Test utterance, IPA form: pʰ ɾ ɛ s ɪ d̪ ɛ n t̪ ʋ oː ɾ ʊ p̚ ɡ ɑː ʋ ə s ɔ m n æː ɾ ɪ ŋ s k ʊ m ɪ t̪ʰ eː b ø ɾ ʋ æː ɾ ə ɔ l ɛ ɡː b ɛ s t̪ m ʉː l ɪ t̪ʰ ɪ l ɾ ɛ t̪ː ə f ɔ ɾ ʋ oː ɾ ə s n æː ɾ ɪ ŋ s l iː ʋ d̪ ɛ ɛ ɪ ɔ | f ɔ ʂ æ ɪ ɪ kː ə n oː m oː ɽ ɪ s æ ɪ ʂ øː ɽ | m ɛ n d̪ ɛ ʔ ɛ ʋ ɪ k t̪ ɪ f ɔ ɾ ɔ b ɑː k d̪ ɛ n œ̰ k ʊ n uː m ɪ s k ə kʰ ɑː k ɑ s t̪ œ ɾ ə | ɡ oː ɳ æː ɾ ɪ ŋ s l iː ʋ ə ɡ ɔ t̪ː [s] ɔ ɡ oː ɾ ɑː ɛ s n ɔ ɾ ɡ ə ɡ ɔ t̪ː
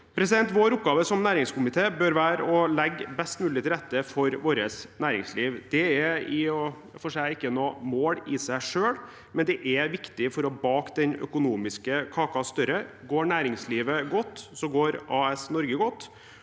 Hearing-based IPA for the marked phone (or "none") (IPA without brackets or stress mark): s